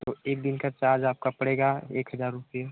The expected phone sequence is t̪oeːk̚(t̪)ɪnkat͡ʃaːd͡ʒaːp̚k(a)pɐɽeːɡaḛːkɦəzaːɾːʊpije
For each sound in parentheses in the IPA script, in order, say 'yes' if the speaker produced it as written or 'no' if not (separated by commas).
no, yes